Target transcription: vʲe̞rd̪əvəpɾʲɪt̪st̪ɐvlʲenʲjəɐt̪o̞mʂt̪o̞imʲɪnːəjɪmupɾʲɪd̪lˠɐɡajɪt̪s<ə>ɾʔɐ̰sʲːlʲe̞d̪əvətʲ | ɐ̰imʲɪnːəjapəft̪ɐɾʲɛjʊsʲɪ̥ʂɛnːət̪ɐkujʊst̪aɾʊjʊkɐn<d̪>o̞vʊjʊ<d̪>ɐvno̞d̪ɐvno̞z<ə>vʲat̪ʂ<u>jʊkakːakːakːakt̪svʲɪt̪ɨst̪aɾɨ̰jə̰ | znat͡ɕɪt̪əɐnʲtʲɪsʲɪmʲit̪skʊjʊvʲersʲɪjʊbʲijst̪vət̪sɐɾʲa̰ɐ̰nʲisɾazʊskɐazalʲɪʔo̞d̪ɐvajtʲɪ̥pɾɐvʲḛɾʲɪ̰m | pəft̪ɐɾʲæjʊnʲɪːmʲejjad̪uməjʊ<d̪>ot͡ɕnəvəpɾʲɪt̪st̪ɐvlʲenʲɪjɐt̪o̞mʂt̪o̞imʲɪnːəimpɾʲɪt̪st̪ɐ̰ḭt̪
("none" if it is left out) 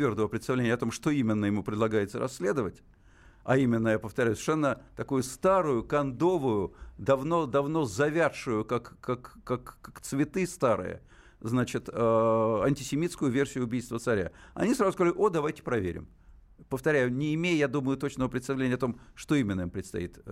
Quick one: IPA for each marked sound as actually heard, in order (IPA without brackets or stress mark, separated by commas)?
ə, d̪, d̪, ɐ, ʊ, t̪